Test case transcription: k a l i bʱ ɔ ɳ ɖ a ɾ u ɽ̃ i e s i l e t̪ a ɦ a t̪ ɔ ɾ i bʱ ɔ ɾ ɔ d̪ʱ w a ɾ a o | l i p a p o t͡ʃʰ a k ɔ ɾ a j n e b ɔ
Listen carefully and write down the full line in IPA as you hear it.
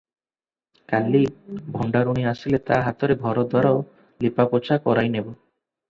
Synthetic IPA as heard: k a l i bʱ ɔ ɳ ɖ a ɾ u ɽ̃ i a s i l e t̪ a ɦ a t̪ ɔ ɾ e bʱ ɔ ɾ ɔ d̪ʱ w a ɾ a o | l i p a p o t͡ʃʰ a k ɔ ɾ a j n e b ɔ